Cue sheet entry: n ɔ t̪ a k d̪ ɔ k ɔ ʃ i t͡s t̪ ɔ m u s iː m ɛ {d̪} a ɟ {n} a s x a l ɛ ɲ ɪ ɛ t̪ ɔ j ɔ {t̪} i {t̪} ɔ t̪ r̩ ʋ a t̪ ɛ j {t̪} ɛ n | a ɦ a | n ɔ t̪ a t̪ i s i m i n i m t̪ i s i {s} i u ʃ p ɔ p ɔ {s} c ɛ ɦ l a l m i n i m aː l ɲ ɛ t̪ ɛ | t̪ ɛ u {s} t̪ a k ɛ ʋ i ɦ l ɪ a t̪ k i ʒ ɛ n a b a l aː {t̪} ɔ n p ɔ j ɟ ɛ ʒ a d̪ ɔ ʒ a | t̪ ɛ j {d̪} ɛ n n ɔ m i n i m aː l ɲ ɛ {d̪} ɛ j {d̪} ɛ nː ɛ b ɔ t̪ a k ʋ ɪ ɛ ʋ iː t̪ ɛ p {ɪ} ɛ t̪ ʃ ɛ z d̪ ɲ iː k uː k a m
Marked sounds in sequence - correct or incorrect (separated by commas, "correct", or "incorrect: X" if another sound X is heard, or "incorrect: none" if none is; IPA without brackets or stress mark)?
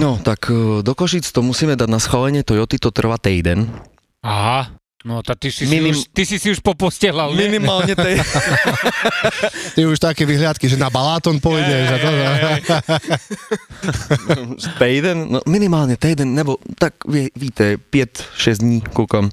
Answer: correct, correct, correct, correct, incorrect: d̪, correct, correct, incorrect: ʃ, correct, correct, incorrect: t̪, correct, correct